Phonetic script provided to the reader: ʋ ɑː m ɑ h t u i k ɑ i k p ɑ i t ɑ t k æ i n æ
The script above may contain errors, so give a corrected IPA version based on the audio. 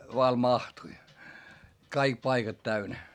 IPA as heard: ʋ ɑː m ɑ h t u i k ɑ i k p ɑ i k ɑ t t æ y n æ

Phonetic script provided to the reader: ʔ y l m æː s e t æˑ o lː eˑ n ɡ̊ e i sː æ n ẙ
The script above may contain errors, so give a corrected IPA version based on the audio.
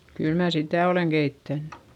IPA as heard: k y l m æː s i t æˑ o l eˑ ŋ ɡ̊ e i tː æ nː ẙ

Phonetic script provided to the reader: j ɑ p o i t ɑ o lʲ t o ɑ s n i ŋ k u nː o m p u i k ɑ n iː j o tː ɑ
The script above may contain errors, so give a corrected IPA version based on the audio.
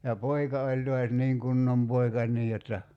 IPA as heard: j ɑ p o i k ɑ o lʲ t o ɑ s n iː ŋ k u nː o m p o i k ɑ n iː j o tː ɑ

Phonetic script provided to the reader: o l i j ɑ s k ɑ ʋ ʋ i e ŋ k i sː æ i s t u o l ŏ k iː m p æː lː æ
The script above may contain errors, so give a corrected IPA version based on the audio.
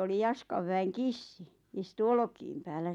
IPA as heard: o l i j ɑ s k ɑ ʋ ʋ æ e ŋ k i sː i i s t u o l ŏ k iː m p æː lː æ

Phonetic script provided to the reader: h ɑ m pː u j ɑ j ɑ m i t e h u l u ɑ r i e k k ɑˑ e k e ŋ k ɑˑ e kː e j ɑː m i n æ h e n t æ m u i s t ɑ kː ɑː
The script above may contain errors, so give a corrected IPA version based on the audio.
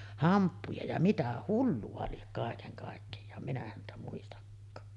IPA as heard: h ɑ m pː u j ɑ j ɑ m i t æ h u lː u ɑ l i e k k ɑˑ e k e ŋ k ɑˑ e kː e j ɑː m i n æ h æ n t æ m u i s t ɑ kː ɑː

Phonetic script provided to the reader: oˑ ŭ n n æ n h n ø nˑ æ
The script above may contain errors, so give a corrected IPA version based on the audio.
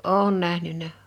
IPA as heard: oˑ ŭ n n æ h n y nˑ æ

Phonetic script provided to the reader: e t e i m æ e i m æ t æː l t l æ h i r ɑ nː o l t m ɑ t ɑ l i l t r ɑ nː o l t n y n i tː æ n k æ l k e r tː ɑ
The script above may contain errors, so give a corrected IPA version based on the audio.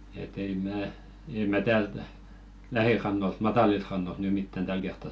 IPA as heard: e t e i m æː e i m æ t æː l t l æ h i r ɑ nː o l t m ɑ t ɑ l i l t r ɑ nː o l t n y m i tː æ n t æ l k e r tː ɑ

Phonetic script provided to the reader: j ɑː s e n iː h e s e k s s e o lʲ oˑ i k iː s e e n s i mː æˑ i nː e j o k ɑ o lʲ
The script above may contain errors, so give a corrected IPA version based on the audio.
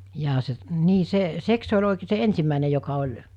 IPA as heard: j ɑː s e n iː s e s e k s s e o lʲ oˑ i k eː s e e n s i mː æˑ i n e j o k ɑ o lʲ

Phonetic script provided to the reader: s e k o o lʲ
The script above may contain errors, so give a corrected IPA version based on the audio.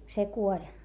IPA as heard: s e k u o lʲ

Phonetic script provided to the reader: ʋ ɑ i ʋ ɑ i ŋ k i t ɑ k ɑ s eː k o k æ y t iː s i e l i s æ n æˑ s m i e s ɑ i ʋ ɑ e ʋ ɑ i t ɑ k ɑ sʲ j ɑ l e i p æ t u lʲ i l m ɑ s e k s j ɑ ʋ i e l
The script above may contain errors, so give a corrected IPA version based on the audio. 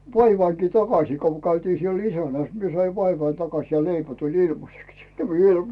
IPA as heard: ʋ ɑ i ʋ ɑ i ŋ k i t ɑ k ɑ s iː k o k æ y t iː s i e l i s æ n æˑ s m i e s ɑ i ʋ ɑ i ʋ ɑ i t ɑ k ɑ sʲ j ɑ l e i p æ t u lʲ i l m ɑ s e k s j ɑ ʋ i e l

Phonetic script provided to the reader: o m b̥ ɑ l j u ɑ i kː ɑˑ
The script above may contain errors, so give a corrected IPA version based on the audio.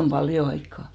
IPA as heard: o m b̥ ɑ l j o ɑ i kː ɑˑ

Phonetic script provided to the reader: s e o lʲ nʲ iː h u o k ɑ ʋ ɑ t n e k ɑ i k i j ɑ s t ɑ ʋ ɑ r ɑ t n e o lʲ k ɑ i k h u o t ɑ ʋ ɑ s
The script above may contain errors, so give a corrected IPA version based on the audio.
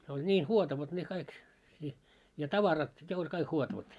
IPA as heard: s e o lʲ nʲ iː h u o t ɑ ʋ ɑ t n e k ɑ i k i j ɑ t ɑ ʋ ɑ r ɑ t n e o lʲ k ɑ i k h u o t ɑ ʋ ɑ t

